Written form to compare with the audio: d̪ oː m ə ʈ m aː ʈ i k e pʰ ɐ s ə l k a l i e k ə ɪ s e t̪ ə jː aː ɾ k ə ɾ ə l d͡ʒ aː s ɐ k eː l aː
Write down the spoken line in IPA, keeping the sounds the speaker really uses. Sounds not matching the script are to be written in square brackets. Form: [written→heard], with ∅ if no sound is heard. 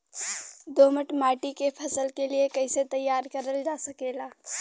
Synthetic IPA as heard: d̪ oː m ə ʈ m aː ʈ i k e pʰ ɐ s ə l k [a→e] l i e k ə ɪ s e t̪ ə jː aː ɾ k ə ɾ ə l d͡ʒ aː s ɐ k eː l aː